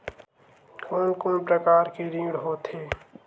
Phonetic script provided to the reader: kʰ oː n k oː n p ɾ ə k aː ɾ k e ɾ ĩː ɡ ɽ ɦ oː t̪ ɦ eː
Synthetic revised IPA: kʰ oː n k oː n p ɾ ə k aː ɾ k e ɾ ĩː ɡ ɽ ɦ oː t̪ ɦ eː